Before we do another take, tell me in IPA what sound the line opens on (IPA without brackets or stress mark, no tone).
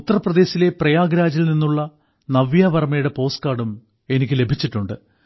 u